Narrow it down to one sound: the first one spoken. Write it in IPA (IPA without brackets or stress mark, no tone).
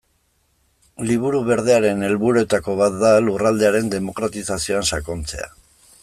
l